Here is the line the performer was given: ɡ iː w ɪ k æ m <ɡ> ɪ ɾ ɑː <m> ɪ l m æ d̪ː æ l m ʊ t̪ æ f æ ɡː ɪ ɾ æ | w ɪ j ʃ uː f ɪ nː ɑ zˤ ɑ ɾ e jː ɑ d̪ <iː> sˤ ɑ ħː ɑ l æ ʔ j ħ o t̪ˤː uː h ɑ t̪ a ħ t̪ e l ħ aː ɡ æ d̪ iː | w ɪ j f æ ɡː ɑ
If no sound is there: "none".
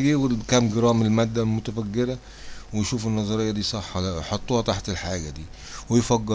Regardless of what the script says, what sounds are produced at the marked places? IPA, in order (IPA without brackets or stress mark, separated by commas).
ɡ, m, iː